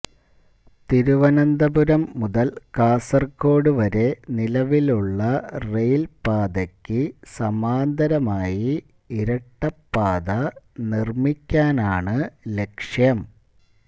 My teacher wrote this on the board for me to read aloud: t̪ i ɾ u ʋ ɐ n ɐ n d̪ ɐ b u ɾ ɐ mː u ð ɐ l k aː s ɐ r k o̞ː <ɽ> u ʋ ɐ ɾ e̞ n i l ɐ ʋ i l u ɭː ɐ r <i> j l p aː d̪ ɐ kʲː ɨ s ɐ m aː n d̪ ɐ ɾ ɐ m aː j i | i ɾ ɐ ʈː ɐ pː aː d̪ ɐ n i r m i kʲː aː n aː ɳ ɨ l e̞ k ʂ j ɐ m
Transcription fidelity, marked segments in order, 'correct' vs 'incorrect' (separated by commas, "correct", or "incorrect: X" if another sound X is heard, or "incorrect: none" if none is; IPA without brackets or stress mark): correct, incorrect: e